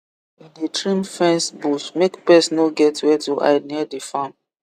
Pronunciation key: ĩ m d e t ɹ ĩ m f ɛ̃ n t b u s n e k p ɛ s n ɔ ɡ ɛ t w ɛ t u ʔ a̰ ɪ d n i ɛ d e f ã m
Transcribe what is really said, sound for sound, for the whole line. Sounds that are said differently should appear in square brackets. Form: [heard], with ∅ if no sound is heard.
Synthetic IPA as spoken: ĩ [n] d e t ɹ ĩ m f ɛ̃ n [s] b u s [m] e k p ɛ s n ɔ ɡ ɛ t w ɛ t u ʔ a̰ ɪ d n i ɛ d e f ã m